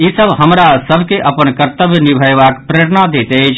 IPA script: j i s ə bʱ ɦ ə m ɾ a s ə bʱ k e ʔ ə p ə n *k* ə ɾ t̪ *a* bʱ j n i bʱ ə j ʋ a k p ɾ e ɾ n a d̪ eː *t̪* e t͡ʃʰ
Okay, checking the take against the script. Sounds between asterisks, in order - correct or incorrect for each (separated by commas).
correct, incorrect, correct